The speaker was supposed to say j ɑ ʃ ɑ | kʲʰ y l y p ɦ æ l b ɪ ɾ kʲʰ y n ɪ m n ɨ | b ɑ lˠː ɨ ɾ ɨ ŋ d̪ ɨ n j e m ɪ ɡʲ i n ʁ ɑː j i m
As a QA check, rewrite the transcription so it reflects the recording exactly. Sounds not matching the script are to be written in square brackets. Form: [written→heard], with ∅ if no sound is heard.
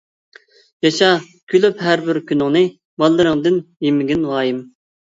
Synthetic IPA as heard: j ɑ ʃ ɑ | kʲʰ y l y p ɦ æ [l→ɾ] b ɪ ɾ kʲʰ y n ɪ [m→ŋ] n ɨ | b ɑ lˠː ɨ ɾ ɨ ŋ d̪ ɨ n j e m ɪ ɡʲ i n ʁ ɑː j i m